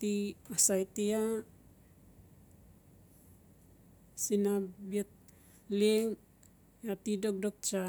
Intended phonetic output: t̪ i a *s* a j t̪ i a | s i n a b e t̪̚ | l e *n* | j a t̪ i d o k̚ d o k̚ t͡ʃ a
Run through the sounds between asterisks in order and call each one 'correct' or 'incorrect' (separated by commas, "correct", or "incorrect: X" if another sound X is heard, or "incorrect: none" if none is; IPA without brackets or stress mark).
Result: correct, incorrect: ŋ